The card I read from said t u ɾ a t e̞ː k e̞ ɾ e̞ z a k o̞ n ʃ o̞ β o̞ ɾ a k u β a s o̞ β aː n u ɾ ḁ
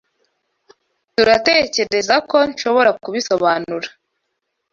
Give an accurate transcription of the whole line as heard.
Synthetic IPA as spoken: t u ɾ a t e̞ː c e̞ ɾ e̞ z a k o̞ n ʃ o̞ β o̞ ɾ a k u β i s o̞ β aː n u ɾ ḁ